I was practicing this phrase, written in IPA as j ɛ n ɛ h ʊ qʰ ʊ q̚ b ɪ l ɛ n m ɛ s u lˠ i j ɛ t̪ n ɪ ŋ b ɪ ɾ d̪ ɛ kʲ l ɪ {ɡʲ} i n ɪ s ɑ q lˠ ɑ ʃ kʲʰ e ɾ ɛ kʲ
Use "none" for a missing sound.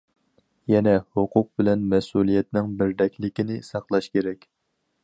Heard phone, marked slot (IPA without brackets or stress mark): kʲ